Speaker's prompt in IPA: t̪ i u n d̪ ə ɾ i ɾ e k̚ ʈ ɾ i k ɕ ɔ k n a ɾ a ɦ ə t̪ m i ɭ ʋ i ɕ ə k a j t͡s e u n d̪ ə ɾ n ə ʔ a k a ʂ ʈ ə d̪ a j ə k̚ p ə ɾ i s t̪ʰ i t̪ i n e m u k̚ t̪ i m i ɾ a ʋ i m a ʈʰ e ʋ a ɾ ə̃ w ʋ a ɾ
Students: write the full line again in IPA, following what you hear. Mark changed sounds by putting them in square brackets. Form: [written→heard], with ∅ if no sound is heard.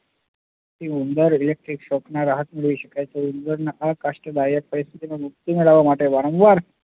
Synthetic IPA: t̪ i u n d̪ ə ɾ i [ɾ→l] e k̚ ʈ ɾ i k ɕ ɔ k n a ɾ a ɦ ə t̪ m i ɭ ʋ i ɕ ə k a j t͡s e u n d̪ ə ɾ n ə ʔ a k a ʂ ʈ ə d̪ a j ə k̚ p ə ɾ i s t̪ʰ i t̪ i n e m u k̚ t̪ i m i [ɾ→ɭ] a ʋ [i→a] m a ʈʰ e ʋ a ɾ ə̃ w ʋ a ɾ

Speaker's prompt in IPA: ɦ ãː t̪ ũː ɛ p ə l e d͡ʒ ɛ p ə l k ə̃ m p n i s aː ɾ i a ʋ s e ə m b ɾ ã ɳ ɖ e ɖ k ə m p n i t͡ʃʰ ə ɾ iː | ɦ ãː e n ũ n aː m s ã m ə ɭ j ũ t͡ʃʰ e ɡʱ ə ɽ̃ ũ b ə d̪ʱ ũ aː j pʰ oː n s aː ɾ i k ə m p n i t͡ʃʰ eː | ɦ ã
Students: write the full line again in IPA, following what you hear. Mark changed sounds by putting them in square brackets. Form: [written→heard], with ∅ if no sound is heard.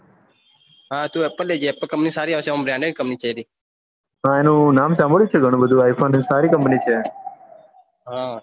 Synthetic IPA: ɦ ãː t̪ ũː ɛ p ə l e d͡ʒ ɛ p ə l k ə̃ m p n i s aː ɾ i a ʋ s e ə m b ɾ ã ɳ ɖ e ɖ k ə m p n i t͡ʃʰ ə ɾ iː | ɦ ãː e n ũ n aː m s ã m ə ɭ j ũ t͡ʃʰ e ɡʱ ə ɽ̃ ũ b ə d̪ʱ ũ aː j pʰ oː n s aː ɾ i k ə m p n i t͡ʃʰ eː | ɦ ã

